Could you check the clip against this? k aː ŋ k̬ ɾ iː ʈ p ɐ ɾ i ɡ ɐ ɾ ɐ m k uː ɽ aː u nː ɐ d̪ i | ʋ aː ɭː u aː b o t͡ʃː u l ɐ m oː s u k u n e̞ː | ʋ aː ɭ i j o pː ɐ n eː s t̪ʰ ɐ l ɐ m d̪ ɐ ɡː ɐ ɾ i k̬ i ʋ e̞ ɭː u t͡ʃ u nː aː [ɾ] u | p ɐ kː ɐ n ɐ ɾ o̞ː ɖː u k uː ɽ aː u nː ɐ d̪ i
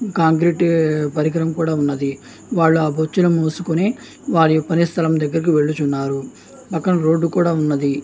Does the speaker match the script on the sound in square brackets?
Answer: yes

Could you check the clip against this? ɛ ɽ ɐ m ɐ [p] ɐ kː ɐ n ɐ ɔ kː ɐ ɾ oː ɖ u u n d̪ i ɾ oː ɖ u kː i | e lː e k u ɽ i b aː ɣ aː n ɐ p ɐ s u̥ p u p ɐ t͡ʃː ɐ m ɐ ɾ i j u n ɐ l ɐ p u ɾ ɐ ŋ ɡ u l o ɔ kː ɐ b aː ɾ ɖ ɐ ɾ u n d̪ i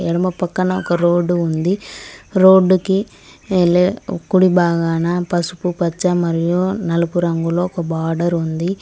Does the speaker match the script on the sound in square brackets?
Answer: yes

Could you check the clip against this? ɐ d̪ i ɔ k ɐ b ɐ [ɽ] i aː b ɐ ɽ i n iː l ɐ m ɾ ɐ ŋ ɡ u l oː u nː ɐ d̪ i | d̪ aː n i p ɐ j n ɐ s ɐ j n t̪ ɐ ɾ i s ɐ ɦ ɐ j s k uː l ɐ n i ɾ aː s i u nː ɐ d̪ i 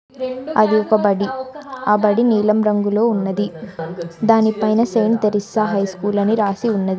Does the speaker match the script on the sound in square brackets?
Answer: yes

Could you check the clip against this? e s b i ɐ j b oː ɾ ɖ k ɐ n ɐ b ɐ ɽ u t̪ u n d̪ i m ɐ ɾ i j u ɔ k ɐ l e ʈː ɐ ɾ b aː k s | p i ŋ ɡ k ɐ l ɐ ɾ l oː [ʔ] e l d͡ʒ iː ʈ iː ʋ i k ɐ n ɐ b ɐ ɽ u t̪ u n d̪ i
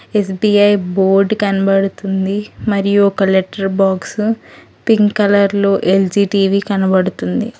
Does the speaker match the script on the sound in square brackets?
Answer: yes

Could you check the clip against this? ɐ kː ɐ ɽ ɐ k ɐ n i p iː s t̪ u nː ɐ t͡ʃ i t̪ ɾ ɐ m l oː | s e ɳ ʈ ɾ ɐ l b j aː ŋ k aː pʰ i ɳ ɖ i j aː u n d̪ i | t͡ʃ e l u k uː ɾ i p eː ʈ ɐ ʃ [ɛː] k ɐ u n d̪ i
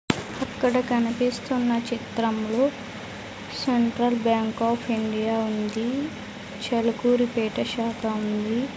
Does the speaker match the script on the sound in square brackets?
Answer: no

